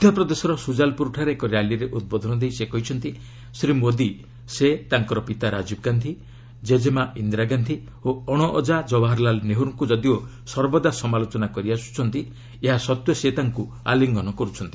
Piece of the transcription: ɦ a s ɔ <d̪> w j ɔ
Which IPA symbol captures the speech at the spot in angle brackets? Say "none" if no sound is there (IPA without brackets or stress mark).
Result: t̪